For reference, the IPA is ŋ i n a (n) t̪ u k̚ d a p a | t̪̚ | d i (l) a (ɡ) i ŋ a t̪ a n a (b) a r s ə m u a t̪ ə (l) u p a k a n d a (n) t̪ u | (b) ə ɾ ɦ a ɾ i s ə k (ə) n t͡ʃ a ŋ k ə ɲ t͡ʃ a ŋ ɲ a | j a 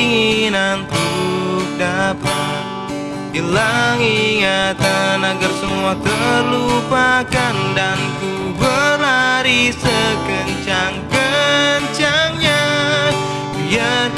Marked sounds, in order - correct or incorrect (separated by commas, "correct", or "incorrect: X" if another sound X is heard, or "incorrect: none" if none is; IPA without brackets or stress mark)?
correct, correct, incorrect: ŋ, incorrect: ɡ, correct, correct, correct, correct